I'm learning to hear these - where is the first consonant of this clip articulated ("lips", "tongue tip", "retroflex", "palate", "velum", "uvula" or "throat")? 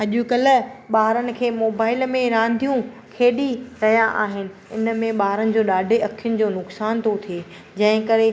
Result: palate